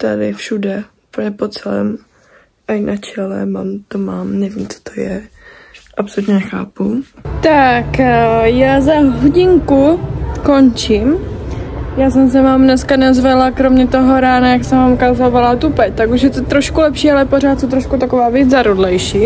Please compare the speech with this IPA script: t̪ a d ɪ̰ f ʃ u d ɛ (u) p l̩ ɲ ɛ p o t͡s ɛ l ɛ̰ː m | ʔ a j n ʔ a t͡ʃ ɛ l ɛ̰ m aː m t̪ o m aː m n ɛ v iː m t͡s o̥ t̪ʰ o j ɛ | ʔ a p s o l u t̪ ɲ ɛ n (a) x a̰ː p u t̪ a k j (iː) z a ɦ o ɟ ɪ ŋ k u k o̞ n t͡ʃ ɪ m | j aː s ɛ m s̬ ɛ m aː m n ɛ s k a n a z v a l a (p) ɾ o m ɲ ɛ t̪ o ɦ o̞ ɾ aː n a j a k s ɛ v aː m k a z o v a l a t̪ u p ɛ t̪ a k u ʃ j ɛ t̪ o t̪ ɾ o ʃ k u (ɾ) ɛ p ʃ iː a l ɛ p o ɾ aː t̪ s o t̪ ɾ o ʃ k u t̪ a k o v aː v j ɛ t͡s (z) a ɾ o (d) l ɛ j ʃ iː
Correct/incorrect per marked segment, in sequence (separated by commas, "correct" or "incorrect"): correct, incorrect, incorrect, incorrect, incorrect, correct, correct